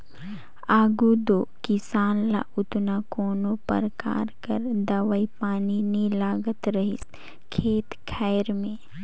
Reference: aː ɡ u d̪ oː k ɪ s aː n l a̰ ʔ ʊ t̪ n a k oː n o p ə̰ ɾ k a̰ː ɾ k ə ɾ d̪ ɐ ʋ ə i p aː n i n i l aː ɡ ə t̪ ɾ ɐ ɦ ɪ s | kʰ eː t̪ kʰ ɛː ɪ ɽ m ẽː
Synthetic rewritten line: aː ɡ u d̪ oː k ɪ s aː n l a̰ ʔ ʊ t̪ n a k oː n o p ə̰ ɾ k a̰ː ɾ k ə ɾ d̪ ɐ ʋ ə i p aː n i n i l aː ɡ ə t̪ ɾ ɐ ɦ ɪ s | kʰ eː t̪ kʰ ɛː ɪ ɾ m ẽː